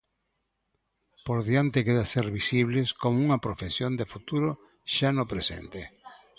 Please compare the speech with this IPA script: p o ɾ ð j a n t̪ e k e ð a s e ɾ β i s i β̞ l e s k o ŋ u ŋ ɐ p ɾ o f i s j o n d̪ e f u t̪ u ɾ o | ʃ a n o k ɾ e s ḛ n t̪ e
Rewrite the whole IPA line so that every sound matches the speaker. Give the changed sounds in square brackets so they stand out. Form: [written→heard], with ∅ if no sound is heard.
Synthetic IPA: p o ɾ ð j a n t̪ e k e ð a s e ɾ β i s i β̞ l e s k o [ŋ→m] u ŋ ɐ p ɾ o f [i→e] s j o n d̪ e f u t̪ u ɾ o | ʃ a n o [k→p] ɾ e s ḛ n t̪ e